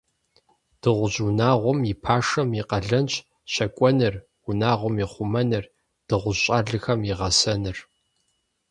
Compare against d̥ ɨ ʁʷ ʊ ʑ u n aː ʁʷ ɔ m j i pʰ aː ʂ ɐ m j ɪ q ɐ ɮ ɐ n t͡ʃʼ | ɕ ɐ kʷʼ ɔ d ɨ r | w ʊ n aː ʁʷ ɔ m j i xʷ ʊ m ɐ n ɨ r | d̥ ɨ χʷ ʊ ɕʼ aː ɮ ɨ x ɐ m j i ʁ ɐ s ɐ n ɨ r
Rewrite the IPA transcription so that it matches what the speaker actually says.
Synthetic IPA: d̥ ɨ ʁʷ ʊ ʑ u n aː ʁʷ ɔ m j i pʰ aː ʂ ɐ m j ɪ q ɐ ɮ ɐ n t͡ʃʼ | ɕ ɐ kʷʼ ɔ n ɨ r | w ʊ n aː ʁʷ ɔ m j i χʷ ʊ m ɐ n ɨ r | d̥ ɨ ʁʷ ʊ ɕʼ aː ɮ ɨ x ɐ m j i ʁ ɐ s ɐ n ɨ r